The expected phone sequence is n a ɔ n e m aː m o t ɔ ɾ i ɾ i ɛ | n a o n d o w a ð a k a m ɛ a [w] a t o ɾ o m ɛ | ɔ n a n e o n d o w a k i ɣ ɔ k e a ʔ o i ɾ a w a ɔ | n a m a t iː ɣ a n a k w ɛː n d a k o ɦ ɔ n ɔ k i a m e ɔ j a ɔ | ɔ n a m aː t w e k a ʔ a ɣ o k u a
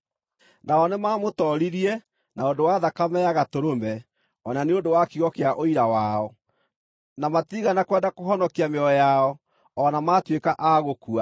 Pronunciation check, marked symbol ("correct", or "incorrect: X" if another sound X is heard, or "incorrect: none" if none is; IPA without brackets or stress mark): incorrect: ɣ